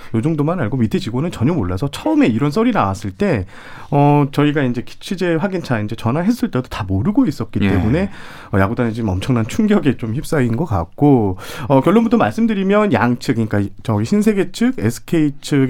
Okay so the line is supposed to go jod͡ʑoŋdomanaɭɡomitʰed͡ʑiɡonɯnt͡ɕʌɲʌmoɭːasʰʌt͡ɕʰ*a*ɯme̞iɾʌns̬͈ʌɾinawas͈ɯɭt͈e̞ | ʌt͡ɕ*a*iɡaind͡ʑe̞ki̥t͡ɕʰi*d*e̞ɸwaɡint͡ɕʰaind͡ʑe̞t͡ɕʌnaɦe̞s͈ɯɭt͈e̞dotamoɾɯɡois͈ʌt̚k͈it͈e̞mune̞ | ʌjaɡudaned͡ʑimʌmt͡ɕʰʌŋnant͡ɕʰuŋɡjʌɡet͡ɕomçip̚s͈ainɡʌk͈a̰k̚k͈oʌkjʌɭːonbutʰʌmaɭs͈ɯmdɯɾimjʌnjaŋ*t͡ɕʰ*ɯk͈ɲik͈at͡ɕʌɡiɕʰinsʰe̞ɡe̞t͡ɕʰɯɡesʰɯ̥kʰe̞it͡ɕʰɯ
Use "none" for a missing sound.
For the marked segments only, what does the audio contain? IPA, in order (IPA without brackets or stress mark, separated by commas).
ʌ, ʌ, d͡ʑ, t͡ɕʰ